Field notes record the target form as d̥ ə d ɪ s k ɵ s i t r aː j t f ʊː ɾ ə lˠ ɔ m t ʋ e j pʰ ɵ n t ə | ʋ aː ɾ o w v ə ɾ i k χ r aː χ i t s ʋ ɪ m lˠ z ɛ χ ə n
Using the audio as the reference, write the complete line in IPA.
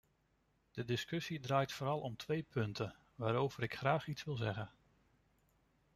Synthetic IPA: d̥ ə d ɪ s k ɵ s i d r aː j t f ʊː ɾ ɑ lˠ ɔ m t ʋ e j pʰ ɵ n t ə | ʋ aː ɾ o w v ə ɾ ɪ k χ r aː χ i t s ʋ ɪ lˠ z ɛ χ ə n